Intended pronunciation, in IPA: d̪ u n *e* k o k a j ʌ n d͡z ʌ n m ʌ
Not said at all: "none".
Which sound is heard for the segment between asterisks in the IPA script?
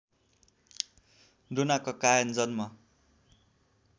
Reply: a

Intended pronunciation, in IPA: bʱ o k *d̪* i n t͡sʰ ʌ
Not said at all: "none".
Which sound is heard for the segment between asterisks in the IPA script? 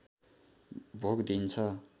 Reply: d̪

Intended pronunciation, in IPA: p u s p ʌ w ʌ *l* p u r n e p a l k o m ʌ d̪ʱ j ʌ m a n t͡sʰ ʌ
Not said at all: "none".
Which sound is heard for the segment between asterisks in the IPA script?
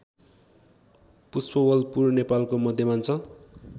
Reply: l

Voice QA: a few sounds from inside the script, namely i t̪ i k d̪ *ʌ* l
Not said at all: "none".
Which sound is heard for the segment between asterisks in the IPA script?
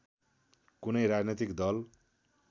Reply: ʌ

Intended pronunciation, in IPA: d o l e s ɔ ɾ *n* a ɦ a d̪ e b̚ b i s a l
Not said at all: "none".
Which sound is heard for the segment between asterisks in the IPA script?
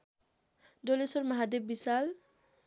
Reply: m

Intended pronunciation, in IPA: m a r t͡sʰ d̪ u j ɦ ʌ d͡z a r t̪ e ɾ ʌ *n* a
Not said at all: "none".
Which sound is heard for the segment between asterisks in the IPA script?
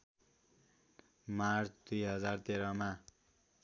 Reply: m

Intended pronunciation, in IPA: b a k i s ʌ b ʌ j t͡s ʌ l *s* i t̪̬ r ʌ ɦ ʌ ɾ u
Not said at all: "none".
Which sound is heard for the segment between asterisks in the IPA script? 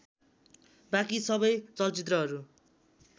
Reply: t͡s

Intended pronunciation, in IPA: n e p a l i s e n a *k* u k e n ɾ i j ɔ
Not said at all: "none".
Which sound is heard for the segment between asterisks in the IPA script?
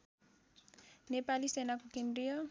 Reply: k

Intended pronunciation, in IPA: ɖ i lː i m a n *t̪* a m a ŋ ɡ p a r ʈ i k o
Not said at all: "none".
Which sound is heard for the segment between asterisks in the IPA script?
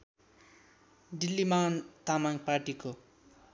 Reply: t̪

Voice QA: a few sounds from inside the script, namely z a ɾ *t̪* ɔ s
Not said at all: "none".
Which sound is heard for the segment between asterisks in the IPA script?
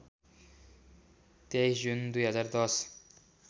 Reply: d̪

